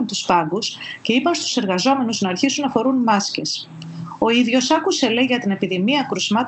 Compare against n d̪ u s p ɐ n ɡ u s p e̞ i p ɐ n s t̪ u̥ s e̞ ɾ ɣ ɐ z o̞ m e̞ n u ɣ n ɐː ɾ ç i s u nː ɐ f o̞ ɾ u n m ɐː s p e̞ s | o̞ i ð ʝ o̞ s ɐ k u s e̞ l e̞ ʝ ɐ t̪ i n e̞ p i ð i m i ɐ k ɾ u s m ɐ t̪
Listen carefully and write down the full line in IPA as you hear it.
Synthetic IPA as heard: n t̪ u s p ɐ ŋ ɡ u s c e̞ i p ɐ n s t̪ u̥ s e̞ ɾ ɣ ɐ z o̞ m e̞ n u z n ɐː ɾ ç i s u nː ɐ f o̞ ɾ u n m ɐ s c e̞ s | o̞ i ð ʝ o̞ s ɐ k u s e̞ l e̞ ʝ ɐ t̪ i n e̞ p i ð i m i ɐ k ɾ u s m ɐ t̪